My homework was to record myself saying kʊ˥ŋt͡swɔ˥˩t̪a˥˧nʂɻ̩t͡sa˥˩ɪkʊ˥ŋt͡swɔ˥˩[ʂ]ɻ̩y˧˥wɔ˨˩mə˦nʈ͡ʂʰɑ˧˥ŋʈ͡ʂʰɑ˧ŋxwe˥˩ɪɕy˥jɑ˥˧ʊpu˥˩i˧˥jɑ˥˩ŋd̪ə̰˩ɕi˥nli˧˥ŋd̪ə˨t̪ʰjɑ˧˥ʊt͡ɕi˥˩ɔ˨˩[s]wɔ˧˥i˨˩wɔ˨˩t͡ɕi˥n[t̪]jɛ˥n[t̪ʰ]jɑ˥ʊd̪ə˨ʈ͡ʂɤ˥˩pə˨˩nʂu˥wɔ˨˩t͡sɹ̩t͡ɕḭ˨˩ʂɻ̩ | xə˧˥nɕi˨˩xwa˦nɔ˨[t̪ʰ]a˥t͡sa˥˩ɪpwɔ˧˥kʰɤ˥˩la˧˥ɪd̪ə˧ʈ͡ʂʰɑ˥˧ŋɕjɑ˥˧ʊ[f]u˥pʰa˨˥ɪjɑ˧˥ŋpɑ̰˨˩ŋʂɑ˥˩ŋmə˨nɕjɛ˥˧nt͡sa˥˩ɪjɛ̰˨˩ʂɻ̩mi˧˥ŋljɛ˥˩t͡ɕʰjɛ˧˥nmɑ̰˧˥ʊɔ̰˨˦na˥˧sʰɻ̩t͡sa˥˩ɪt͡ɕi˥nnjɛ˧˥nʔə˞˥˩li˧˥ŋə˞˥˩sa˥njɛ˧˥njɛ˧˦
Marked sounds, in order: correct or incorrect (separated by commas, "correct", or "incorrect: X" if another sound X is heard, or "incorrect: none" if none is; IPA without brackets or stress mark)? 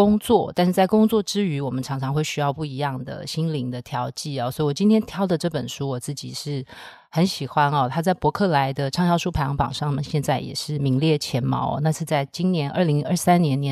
incorrect: ʈ͡ʂ, correct, incorrect: t̪ʰ, correct, correct, incorrect: ʂ